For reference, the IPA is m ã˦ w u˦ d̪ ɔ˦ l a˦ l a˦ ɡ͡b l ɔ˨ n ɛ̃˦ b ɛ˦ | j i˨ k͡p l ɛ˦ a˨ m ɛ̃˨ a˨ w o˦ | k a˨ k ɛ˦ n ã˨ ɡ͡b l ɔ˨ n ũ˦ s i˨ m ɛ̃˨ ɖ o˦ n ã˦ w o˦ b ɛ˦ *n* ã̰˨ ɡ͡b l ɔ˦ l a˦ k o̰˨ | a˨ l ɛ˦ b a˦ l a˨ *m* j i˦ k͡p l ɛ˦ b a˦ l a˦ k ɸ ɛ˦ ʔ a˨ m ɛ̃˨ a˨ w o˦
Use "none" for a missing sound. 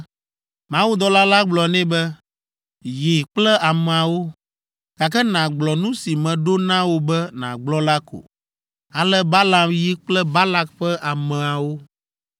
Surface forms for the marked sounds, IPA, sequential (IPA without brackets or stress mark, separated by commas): n, m